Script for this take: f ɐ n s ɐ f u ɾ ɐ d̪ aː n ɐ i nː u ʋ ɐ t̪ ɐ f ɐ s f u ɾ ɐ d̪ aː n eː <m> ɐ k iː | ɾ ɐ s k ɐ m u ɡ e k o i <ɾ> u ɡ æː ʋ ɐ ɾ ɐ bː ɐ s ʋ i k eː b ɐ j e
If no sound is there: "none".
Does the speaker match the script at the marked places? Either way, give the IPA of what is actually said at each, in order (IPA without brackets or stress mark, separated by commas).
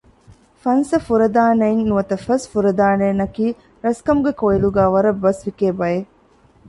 n, l